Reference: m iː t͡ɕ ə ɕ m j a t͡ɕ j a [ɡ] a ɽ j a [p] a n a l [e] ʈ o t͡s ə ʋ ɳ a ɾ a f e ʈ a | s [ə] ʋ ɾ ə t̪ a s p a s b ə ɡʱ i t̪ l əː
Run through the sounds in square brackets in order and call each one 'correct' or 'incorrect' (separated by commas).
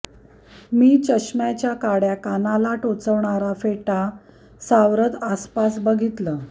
incorrect, incorrect, incorrect, incorrect